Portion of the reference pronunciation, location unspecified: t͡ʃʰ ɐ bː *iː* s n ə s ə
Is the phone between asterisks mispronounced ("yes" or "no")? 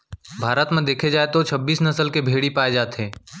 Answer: no